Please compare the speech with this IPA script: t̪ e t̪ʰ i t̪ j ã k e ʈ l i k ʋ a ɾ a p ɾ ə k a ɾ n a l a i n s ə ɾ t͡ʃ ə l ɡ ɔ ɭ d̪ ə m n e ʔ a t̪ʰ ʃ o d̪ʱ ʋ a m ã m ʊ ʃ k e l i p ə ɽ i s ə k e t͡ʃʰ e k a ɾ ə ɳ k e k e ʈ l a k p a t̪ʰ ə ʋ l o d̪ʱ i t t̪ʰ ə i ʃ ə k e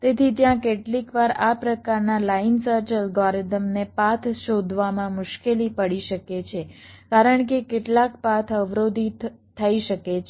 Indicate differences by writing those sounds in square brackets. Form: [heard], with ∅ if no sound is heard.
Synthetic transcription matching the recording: t̪ e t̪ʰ i t̪ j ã k e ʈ l i k ʋ a ɾ a p ɾ ə k a ɾ n a l a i n s ə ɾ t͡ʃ ə l ɡ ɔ [ɾ] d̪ ə m n e [p] a t̪ʰ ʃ o d̪ʱ ʋ a m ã m ʊ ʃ k e l i p ə ɽ i [ʃ] ə k e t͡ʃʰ e k a ɾ ə ɳ k e k e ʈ l a k p a t̪ʰ ə ʋ [ɾ] o d̪ʱ i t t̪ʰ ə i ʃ ə k e